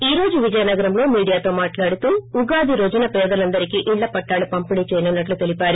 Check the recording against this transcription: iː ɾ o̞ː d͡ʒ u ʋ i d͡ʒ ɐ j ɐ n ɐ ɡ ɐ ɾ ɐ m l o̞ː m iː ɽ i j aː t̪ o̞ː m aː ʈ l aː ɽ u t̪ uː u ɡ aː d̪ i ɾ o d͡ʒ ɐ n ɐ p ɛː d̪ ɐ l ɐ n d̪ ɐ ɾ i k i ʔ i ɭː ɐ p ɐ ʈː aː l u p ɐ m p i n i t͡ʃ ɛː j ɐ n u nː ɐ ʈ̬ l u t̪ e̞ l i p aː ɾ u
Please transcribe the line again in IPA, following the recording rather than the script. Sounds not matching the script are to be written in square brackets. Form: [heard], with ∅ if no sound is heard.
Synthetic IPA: iː ɾ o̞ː d͡ʒ u ʋ i d͡ʒ ɐ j ɐ n ɐ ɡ ɐ ɾ ɐ m l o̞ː m iː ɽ i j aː t̪ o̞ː m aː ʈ l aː ɽ u t̪ uː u ɡ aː d̪ i ɾ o d͡ʒ ɐ n ɐ p ɛː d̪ ɐ l ɐ n d̪ ɐ ɾ i k i ʔ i ɭː ɐ p ɐ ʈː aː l u p ɐ m p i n i t͡ʃ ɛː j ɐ n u nː ɐ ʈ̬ l u t̪ e̞ l i p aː ɾ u